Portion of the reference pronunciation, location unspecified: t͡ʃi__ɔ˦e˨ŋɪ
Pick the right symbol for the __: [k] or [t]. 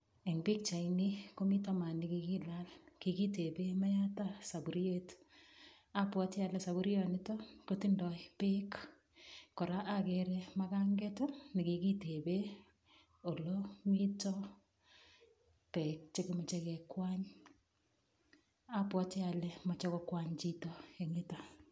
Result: t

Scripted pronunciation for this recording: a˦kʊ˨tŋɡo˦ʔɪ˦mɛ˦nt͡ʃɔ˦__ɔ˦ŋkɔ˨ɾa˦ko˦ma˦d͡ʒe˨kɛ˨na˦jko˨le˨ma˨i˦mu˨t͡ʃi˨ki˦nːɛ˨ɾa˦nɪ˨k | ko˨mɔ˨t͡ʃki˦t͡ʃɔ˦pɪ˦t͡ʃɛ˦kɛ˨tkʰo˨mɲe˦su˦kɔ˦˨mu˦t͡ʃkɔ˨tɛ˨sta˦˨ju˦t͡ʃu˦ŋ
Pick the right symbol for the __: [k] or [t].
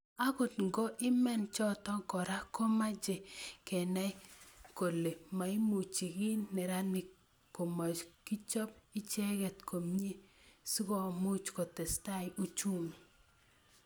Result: t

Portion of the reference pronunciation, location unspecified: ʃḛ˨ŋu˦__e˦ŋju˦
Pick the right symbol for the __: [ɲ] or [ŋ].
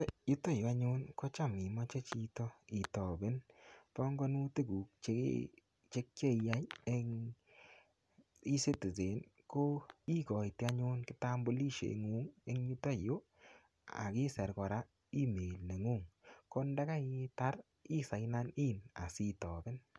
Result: ŋ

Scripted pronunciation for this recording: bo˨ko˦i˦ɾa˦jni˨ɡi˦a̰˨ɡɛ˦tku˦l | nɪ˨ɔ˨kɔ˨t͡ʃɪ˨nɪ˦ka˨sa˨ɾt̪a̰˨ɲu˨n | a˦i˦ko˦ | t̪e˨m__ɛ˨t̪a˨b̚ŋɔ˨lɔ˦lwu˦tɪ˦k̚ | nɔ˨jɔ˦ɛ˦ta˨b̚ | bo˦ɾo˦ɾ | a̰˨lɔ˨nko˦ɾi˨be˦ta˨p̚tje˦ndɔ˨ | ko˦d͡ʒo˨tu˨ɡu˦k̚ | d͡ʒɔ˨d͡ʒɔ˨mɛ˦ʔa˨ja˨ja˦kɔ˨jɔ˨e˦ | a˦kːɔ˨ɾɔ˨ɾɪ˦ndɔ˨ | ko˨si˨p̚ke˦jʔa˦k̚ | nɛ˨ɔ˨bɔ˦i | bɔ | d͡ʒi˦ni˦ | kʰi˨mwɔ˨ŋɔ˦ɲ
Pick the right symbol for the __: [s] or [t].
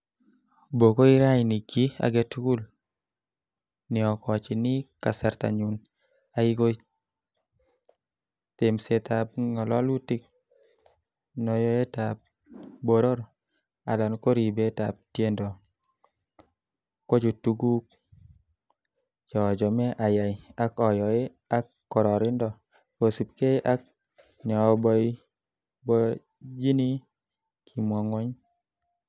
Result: s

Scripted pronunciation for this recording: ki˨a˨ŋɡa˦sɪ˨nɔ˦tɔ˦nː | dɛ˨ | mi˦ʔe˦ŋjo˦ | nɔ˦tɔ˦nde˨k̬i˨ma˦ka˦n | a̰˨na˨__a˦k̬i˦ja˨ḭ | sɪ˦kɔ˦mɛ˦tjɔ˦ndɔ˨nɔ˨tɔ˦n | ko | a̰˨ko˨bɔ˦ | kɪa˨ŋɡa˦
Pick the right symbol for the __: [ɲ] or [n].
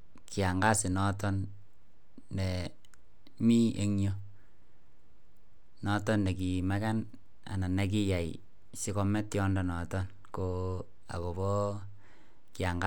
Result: n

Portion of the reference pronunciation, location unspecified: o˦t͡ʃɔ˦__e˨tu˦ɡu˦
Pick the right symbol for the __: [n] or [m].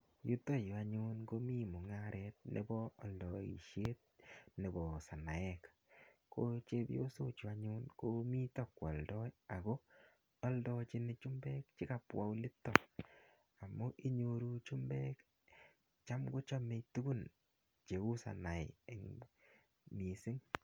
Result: m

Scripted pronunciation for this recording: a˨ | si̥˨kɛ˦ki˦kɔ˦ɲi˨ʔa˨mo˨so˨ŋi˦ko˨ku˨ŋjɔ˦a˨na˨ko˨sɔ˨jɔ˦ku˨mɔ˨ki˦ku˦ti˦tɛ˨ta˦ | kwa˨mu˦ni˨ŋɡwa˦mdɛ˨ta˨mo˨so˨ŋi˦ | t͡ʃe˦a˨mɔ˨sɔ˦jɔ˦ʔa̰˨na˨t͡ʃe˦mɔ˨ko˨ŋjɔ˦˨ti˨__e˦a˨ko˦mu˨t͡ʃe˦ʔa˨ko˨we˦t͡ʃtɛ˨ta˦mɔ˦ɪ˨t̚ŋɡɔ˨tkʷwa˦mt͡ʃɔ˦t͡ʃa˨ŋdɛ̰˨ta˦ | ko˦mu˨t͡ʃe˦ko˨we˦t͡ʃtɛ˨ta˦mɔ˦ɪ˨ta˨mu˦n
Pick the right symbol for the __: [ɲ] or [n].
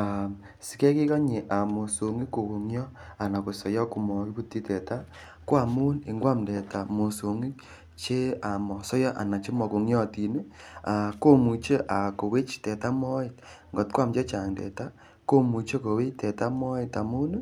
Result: n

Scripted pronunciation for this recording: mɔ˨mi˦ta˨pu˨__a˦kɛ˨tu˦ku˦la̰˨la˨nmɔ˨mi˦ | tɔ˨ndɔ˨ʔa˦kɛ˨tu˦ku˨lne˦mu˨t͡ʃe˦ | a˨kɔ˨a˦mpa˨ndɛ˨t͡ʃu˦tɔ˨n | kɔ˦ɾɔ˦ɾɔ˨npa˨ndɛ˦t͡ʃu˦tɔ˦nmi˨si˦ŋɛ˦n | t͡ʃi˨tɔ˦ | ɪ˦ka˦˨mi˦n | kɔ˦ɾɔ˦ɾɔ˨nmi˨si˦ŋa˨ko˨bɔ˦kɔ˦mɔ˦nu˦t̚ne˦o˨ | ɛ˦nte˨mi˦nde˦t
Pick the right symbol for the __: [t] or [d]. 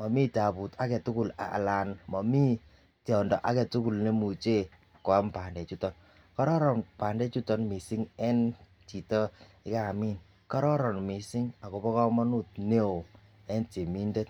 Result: t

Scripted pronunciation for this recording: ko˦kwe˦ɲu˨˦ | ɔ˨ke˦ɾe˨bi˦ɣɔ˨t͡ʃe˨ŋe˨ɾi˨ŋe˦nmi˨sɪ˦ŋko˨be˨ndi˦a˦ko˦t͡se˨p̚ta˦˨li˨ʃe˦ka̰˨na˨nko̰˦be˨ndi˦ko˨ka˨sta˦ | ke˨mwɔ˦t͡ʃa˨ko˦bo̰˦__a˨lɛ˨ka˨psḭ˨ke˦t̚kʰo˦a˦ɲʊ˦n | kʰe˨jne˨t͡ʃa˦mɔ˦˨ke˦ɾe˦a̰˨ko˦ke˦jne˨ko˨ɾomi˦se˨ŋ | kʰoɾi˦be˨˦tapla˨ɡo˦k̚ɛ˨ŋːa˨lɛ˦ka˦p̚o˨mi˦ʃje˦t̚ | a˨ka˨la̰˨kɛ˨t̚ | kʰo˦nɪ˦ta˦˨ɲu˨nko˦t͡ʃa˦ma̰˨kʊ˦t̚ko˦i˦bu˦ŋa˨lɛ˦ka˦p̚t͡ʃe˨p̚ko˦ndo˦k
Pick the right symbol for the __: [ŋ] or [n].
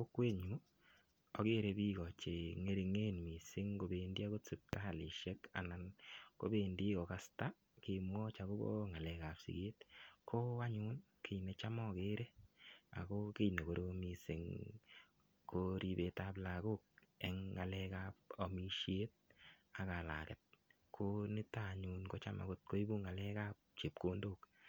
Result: ŋ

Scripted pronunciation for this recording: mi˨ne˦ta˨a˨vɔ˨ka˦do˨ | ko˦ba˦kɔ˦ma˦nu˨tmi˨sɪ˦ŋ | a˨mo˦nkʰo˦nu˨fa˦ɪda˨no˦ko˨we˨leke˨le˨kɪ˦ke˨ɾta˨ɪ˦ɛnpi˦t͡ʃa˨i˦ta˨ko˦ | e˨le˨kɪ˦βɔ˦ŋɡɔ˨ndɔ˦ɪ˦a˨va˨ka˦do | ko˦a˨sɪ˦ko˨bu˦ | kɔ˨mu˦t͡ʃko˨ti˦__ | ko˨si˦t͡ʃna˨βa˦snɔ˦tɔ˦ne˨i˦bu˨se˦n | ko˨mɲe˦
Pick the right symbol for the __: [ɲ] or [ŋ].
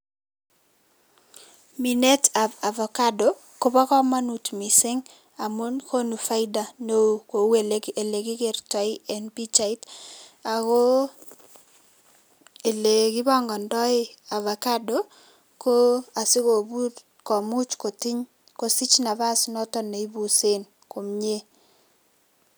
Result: ɲ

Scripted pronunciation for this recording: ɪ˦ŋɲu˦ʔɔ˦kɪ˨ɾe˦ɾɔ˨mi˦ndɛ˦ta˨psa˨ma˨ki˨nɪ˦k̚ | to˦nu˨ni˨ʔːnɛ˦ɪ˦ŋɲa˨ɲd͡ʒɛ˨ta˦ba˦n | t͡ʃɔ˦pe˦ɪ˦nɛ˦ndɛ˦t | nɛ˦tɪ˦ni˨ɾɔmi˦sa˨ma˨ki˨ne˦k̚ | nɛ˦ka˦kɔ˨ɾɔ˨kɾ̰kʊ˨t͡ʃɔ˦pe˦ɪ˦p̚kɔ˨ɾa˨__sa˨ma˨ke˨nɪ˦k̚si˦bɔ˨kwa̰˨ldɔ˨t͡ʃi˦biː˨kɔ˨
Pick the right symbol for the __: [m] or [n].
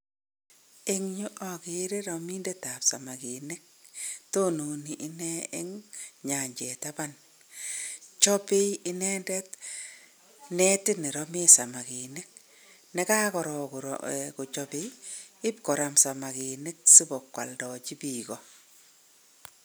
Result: m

